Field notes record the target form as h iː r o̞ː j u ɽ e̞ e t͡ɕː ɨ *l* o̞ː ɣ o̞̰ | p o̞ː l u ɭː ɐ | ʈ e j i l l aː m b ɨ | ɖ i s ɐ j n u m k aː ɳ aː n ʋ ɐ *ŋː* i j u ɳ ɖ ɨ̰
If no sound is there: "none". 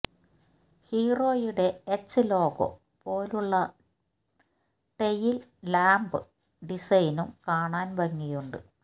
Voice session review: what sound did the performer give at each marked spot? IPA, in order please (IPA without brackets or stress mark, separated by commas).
l, ŋː